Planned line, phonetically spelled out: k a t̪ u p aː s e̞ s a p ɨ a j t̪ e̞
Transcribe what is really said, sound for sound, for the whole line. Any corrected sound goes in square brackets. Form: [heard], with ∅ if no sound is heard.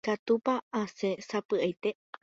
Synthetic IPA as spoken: k a t̪ u p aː s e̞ s a p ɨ a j t̪ e̞